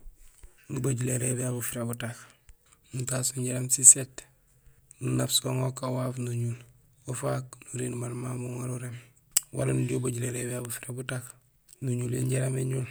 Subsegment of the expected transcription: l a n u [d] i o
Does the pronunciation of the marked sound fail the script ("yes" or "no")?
no